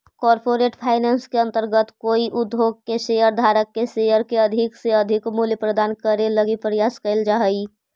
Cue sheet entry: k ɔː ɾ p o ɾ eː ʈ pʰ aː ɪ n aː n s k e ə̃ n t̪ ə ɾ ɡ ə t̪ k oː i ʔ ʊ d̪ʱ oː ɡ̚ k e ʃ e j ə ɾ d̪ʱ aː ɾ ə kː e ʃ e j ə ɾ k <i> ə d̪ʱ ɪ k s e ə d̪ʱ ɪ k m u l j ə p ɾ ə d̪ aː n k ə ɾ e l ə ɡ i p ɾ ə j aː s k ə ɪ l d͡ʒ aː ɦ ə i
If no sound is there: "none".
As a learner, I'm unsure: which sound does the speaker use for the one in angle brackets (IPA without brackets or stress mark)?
e